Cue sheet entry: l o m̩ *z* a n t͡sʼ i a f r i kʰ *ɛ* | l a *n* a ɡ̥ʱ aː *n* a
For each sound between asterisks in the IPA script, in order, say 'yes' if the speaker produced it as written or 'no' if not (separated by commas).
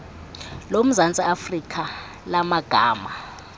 yes, no, no, no